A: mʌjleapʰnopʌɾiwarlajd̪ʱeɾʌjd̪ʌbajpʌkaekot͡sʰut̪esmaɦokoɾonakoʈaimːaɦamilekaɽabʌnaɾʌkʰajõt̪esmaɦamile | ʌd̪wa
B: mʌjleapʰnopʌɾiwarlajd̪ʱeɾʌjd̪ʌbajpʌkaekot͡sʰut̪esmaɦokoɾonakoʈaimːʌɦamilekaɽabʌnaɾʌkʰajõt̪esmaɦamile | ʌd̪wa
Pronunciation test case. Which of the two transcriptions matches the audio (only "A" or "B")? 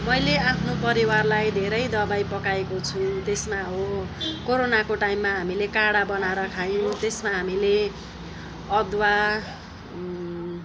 A